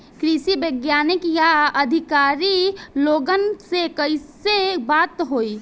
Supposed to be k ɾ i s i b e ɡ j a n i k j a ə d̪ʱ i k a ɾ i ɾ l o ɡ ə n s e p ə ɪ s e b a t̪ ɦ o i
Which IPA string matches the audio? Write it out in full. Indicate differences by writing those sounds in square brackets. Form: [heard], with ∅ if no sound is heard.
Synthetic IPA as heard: k ɾ i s i b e ɡ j a n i k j a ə d̪ʱ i k a ɾ i [∅] l o ɡ ə n s e [k] ə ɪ s e b a t̪ ɦ o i